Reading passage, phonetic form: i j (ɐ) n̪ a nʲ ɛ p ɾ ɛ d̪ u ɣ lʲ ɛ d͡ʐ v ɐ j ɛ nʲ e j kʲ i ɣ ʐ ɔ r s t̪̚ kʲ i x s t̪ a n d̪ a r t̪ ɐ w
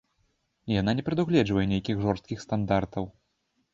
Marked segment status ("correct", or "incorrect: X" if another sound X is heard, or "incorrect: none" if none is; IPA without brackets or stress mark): incorrect: a